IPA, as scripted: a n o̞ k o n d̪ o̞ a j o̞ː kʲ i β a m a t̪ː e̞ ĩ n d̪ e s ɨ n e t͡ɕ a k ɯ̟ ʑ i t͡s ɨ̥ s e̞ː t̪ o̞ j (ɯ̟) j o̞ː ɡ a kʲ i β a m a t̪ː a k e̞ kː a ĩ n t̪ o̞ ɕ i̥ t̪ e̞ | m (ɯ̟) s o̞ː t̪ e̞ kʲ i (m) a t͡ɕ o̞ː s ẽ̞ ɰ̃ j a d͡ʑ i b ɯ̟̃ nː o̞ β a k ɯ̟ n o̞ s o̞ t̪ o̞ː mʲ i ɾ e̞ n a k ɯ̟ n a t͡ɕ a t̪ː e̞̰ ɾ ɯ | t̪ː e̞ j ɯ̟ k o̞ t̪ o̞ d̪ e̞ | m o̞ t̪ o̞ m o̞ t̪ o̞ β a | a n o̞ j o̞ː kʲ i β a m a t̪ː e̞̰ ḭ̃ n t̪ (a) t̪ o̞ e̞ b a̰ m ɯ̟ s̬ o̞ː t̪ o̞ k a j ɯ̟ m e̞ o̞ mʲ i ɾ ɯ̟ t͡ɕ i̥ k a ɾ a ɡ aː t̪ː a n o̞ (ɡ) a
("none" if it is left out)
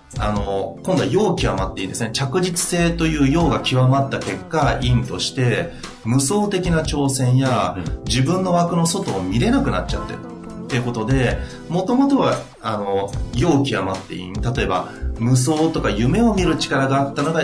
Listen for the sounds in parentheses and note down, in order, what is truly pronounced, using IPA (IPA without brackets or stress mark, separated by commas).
ɯ̟ː, ɯ̟, n, a, ɡ